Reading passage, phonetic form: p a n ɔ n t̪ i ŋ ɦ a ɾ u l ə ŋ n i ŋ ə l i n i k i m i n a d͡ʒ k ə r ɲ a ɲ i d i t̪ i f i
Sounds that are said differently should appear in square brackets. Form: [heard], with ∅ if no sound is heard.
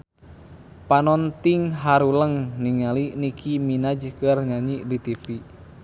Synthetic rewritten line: p a n ɔ n t̪ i ŋ ɦ a ɾ u l ə ŋ n i ŋ [a] l i n i k i m i n a d͡ʒ k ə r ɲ a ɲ i d i t̪ i f i